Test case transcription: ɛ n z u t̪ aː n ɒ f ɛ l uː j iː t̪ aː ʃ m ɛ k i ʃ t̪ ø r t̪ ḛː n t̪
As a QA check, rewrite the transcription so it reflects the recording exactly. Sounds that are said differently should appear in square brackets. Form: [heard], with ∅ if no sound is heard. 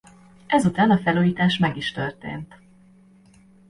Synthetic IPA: ɛ [∅] z u t̪ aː n ɒ f ɛ l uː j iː t̪ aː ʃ m ɛ [ɡ] i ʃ t̪ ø r t̪ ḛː n t̪